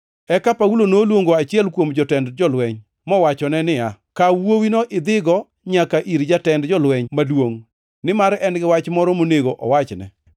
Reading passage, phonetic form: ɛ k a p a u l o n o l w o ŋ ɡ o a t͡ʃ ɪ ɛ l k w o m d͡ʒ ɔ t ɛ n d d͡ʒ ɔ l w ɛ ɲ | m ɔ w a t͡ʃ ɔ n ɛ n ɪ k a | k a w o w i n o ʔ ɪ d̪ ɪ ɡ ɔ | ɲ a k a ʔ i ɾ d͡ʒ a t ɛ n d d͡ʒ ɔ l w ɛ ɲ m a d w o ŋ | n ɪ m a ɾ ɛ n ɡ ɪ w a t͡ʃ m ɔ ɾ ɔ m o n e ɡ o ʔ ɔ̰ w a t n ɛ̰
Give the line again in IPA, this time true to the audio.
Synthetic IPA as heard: ɛ k a p a u l o n o l w o ŋ ɡ o a t͡ʃ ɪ ɛ l k w o m d͡ʒ ɔ t ɛ n d d͡ʒ ɔ l w ɛ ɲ | m ɔ w a t͡ʃ ɔ n ɛ n ɪ a | k a w o w i n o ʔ ɪ d̪ ɪ ɡ ɔ | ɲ a k a ʔ i ɾ d͡ʒ a t ɛ n d d͡ʒ ɔ l w ɛ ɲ m a d w o ŋ | n ɪ m a ɾ ɛ n ɡ ɪ w a t͡ʃ m ɔ ɾ ɔ m o n e ɡ o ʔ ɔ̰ w a t͡ʃ n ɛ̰